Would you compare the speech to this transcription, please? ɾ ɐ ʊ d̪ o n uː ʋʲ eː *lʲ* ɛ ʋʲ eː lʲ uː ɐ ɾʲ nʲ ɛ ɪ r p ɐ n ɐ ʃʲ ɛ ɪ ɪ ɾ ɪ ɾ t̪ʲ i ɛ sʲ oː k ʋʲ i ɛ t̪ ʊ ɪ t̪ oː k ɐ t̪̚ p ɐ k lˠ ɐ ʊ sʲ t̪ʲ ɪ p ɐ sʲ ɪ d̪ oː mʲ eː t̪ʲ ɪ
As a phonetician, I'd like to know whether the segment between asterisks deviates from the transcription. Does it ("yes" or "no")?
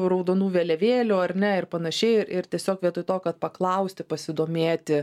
no